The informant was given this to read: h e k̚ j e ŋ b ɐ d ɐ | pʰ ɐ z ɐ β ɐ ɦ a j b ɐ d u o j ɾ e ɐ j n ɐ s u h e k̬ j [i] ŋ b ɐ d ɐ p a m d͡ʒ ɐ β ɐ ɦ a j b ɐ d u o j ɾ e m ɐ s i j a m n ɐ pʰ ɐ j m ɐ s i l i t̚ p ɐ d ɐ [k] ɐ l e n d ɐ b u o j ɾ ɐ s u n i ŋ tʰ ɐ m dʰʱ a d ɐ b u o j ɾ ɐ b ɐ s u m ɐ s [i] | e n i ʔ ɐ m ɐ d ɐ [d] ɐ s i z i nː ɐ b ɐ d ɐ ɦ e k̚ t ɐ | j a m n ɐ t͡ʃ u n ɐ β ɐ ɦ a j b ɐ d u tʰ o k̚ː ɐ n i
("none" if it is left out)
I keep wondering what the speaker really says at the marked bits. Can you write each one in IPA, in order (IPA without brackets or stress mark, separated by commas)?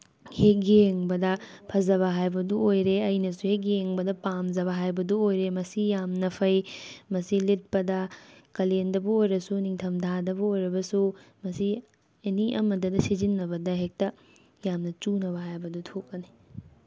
e, k, i, d